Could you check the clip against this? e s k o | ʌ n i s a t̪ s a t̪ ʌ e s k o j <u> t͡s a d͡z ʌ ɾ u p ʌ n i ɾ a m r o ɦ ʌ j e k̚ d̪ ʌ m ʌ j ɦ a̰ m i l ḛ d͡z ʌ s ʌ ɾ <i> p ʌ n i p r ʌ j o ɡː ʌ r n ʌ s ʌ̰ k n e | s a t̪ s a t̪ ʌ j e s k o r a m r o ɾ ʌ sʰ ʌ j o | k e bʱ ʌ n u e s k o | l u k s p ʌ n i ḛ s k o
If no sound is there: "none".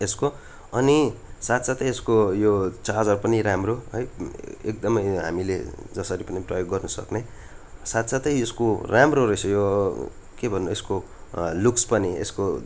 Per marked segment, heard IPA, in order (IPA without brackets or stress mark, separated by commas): o, i